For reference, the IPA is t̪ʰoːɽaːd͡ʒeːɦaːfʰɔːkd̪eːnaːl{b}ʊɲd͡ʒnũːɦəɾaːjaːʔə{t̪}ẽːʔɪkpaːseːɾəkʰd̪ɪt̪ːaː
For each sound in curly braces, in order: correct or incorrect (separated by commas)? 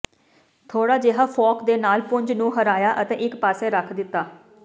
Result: incorrect, correct